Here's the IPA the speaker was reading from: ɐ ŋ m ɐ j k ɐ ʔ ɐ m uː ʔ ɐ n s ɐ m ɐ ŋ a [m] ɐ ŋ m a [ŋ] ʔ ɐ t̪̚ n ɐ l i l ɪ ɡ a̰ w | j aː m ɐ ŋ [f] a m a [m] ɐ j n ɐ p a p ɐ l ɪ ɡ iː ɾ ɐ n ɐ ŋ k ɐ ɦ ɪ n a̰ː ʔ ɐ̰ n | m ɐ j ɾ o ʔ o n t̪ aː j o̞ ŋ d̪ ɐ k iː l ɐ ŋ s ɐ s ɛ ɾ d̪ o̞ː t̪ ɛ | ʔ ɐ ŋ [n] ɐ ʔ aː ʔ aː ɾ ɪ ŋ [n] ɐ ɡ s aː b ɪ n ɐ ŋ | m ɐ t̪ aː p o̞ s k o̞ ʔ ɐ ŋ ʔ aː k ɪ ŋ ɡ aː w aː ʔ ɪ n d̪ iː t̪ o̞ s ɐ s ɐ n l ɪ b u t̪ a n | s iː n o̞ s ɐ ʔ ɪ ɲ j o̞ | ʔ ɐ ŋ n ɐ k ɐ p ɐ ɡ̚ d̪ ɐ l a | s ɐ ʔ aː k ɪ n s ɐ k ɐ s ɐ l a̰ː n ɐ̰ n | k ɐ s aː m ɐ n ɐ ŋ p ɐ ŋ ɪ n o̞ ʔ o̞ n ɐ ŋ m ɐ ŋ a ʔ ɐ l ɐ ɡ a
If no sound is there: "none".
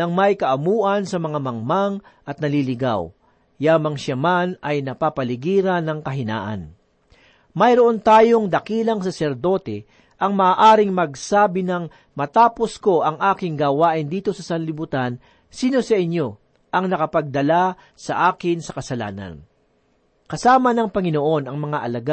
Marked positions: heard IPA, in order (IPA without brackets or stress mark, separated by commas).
m, ŋ, ʃ, n, m, m